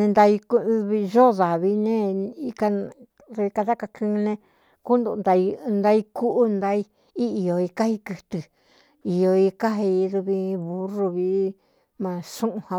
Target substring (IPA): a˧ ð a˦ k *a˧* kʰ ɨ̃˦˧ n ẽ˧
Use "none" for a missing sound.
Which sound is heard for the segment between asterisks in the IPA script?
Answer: a˧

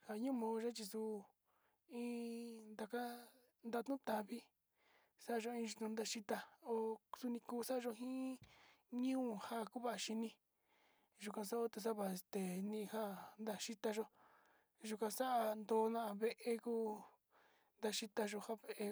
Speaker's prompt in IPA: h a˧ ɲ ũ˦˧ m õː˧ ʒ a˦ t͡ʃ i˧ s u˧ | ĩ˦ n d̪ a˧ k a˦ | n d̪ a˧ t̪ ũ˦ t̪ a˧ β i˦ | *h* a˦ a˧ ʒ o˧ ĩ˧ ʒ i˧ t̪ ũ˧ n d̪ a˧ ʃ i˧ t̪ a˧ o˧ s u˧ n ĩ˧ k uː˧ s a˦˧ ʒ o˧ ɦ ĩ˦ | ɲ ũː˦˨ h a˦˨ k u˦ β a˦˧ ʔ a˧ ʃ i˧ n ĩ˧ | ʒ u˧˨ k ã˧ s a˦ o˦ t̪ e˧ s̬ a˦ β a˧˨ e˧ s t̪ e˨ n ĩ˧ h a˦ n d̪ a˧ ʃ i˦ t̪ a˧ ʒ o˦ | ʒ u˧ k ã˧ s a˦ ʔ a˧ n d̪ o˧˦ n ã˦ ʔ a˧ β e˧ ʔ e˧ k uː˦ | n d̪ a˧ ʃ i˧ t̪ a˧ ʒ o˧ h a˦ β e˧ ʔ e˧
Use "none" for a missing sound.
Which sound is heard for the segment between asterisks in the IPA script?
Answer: s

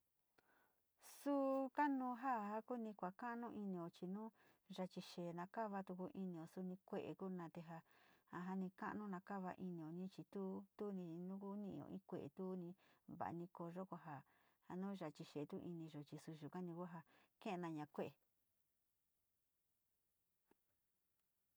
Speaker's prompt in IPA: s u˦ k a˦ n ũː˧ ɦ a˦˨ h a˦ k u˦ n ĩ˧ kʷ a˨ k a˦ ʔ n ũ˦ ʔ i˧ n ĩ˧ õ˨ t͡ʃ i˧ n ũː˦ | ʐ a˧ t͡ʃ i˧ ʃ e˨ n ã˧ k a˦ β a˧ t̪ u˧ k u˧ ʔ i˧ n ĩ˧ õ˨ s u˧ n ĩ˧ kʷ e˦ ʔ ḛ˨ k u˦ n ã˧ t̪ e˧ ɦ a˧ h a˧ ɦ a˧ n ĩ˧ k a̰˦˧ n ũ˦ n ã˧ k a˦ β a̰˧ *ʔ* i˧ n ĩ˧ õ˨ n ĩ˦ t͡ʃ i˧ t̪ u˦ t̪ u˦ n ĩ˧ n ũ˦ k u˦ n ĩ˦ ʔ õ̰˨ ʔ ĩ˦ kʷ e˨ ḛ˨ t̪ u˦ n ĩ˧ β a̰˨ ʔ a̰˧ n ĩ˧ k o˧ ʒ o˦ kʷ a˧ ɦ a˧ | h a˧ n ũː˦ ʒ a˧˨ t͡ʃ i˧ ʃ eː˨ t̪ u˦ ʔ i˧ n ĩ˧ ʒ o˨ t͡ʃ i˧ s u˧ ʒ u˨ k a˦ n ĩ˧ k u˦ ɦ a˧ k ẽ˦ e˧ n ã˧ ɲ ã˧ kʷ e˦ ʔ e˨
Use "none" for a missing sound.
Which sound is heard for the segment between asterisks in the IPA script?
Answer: ʔ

